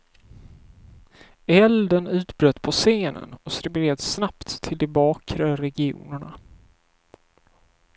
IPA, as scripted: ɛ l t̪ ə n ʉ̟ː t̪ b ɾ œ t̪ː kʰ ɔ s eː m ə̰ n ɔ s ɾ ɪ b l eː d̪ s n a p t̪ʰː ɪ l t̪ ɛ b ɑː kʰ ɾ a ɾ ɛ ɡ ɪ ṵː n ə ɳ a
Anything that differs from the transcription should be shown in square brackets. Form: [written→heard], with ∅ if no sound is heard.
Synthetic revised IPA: ɛ l [t̪→d̪] ə n ʉ̟ː t̪ b ɾ œ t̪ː [kʰ→pʰ] ɔ s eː [m→n] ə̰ n ɔ s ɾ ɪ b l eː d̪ s n a p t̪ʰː ɪ l [t̪→d̪] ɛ b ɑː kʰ ɾ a ɾ ɛ ɡ ɪ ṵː n ə ɳ a